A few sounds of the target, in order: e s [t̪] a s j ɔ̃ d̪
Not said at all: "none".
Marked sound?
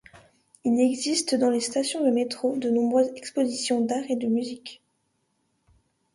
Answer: t̪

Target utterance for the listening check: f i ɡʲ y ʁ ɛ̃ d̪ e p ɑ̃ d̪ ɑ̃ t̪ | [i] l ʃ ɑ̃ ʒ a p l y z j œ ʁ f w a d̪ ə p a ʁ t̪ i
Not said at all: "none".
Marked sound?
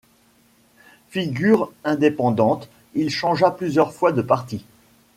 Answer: i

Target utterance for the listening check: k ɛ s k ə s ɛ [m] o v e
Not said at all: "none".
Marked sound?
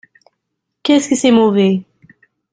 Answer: m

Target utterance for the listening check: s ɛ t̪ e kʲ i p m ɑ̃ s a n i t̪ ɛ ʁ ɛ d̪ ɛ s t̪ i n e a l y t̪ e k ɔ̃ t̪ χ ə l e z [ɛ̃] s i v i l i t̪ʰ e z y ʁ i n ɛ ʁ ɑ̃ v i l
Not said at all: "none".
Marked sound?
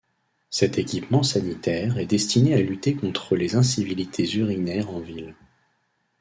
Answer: ɛ̃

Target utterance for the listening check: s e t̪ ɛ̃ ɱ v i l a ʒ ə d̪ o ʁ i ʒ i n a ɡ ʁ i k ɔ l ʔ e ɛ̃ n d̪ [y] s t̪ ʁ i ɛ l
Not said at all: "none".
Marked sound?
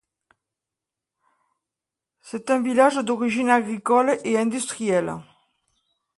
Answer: y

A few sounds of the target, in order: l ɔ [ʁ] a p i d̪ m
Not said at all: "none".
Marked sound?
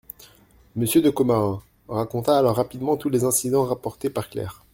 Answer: ʁː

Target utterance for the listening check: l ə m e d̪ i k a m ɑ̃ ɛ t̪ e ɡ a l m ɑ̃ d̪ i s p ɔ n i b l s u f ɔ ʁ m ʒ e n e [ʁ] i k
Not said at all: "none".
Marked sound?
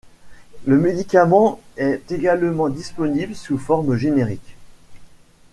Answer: ʁ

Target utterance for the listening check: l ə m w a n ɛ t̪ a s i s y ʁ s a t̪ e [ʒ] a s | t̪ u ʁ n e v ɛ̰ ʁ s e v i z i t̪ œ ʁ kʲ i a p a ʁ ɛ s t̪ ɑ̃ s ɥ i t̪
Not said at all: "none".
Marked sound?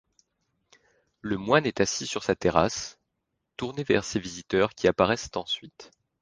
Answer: ʁ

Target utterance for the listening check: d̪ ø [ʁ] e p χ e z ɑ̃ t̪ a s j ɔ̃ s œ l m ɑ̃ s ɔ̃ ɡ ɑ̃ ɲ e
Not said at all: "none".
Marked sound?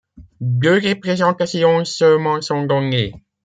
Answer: ʁ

